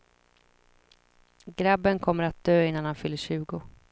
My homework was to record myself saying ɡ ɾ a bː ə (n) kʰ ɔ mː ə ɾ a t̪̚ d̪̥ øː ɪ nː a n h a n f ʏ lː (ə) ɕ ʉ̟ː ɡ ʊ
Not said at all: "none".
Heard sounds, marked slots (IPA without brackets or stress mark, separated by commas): n, ə